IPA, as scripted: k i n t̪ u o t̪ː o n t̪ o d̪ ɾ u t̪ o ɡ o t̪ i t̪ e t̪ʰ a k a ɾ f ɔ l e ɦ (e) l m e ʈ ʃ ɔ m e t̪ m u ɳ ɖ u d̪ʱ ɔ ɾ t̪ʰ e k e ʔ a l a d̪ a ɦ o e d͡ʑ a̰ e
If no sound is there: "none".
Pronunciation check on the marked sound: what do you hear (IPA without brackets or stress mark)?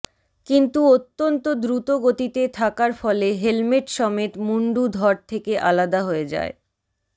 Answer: e